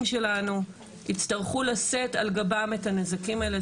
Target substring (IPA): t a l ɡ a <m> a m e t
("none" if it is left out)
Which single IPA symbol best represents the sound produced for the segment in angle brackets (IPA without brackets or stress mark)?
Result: b